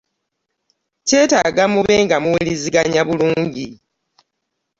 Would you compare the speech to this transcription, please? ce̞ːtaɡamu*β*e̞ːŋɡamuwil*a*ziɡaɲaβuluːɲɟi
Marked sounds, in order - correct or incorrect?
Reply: correct, incorrect

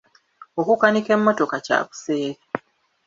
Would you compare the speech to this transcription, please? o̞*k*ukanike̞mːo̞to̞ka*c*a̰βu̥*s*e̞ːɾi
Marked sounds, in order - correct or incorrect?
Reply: correct, correct, correct

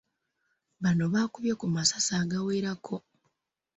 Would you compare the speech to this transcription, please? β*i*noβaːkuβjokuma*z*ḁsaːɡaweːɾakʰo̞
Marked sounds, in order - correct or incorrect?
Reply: incorrect, incorrect

